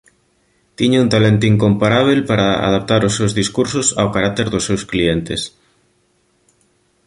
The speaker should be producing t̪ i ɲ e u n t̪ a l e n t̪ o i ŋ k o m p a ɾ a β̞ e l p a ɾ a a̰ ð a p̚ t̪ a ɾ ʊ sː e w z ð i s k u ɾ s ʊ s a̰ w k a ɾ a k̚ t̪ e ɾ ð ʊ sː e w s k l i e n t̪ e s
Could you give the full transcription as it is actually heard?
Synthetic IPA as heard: t̪ i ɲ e u n t̪ a l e n t̪ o i ŋ k o m p a ɾ a β̞ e l p a ɾ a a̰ ð a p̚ t̪ a ɾ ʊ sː e w z ð i s k u ɾ s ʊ s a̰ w k a ɾ a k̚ t̪ e ɾ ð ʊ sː e w s k l i e n t̪ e s